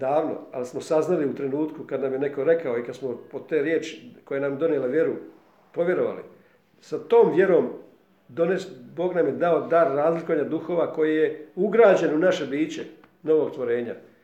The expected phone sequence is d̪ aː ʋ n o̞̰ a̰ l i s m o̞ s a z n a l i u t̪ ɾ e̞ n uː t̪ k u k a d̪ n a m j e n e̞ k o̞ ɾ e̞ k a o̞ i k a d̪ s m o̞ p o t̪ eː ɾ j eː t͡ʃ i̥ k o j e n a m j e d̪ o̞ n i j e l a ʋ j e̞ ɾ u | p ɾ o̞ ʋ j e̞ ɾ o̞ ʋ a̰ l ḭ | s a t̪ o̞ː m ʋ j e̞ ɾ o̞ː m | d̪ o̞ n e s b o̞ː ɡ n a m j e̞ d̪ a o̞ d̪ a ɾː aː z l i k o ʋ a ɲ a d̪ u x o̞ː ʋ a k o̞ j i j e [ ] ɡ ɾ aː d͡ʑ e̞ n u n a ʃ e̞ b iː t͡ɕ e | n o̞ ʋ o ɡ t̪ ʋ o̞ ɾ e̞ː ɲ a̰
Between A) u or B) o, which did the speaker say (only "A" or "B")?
A